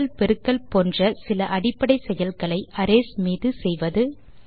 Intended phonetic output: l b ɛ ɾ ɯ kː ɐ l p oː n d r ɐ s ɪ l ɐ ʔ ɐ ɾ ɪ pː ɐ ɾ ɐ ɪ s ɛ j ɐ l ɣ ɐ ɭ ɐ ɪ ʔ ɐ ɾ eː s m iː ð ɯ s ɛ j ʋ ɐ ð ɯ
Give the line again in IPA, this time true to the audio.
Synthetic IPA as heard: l p ɛ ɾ ɯ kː ɐ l p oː n d r ɐ s ɪ l ɐ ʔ ɐ ɽ ɪ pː ɐ ɽ ɐ ɪ s ɛ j ɐ l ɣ ɐ ɭ ɐ ɪ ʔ ɐ ɾ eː s m iː ð ɯ s ɛ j ʋ ɐ ð ɯ

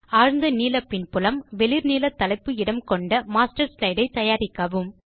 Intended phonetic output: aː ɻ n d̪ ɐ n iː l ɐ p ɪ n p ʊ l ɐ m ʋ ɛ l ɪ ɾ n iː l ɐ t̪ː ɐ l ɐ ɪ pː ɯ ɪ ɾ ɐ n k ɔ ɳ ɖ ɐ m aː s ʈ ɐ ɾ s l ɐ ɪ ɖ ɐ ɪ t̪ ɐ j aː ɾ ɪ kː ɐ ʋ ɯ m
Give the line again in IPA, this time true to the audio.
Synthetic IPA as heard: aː ɻ n d̪ ɐ n iː l ɐ p ɪ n p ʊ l ɐ m ʋ ɛ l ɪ ɾ n iː l ɐ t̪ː ɐ l ɐ ɪ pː ɯ ɪ ɽ ɐ m k ɔ ɳ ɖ ɐ m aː s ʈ ɐ ɾ s l ɐ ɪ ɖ ɐ ɪ t̪ ɐ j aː ɾ ɪ kː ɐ ʋ ɯ m

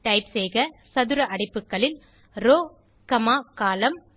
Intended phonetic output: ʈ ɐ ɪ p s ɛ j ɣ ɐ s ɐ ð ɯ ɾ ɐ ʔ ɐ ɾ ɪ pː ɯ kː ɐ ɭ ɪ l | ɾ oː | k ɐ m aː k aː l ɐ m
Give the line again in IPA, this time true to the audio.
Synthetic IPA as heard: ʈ ɐ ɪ p s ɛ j ɣ ɐ s ɐ ð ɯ ɾ ɐ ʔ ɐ ɽ ɪ pː ɯ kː ɐ ɭ ɪ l | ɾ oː | k ɐ m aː k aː l ɐ m

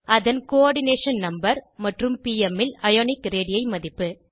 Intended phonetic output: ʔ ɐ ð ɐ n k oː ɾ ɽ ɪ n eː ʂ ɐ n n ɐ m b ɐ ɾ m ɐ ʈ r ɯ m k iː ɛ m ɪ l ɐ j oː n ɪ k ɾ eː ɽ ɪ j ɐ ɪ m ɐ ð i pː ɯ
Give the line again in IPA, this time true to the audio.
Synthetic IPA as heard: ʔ ɐ ð ɐ n k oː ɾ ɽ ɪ n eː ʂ ɐ n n ɐ m b ɐ ɾ m ɐ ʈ r ɯ m p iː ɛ m ɪ l ɐ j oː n ɪ k ɾ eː ɽ ɪ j ɐ ɪ m ɐ ð ɪ pː ɯ

